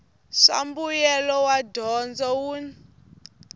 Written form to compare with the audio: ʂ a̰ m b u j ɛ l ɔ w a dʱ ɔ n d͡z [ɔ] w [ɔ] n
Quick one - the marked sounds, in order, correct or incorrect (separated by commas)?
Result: correct, incorrect